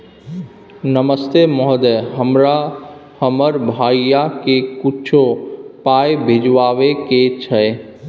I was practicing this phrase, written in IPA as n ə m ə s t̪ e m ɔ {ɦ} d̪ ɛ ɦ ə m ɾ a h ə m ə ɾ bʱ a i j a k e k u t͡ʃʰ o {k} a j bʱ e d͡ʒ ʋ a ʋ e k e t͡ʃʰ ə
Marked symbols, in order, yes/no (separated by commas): yes, no